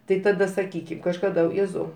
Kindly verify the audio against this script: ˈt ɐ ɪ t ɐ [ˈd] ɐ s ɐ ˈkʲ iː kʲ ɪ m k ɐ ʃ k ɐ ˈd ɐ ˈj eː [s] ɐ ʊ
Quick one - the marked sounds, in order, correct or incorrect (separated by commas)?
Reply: correct, incorrect